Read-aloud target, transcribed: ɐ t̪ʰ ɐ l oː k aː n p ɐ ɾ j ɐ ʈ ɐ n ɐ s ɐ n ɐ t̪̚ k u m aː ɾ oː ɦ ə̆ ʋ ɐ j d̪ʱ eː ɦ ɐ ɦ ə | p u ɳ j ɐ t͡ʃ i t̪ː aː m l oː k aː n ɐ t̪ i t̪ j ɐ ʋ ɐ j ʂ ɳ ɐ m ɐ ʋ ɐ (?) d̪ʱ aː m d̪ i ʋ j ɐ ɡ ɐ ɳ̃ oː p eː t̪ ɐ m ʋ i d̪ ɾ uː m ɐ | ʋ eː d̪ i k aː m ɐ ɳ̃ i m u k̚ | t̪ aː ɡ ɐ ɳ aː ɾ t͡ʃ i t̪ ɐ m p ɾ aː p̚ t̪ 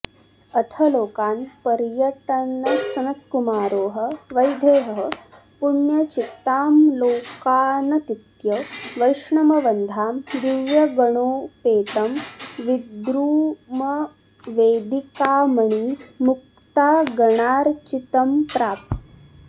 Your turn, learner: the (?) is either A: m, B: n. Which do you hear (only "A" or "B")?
B